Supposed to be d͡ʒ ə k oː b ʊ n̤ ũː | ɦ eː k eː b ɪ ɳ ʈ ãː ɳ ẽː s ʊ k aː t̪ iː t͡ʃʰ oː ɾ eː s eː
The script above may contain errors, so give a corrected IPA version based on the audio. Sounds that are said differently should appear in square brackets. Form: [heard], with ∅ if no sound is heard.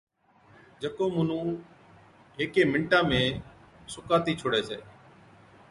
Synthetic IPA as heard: d͡ʒ ə k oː [m] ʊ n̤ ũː | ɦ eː k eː [m] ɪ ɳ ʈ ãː [m] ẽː s ʊ k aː t̪ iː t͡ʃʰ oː [ɽ] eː s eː